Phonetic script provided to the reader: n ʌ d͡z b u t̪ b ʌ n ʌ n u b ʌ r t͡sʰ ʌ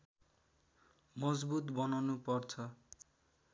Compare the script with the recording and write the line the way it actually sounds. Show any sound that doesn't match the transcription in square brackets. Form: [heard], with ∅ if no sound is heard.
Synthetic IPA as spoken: [m] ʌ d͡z b u t̪ b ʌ n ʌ n u [p] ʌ r t͡sʰ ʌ